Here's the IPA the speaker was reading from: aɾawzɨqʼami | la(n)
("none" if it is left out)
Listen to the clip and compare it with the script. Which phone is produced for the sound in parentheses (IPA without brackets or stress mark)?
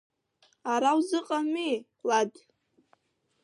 d